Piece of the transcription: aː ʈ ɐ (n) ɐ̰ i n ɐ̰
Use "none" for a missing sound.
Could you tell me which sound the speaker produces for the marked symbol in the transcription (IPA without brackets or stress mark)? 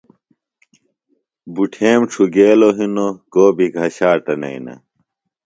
n